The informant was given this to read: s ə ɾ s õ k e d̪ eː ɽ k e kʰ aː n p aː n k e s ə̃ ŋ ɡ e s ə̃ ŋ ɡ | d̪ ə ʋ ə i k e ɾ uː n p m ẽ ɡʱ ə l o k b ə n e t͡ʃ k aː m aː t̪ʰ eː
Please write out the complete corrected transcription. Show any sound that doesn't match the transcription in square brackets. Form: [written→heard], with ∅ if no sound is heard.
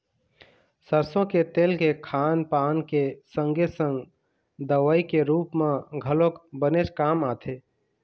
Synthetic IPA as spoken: s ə ɾ s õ k e [d̪→t̪] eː [ɽ→l] k e kʰ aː n p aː n k e s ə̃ ŋ ɡ e s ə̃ ŋ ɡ | d̪ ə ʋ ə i k e ɾ uː [n→∅] p m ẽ ɡʱ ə l o k b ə n e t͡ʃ k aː m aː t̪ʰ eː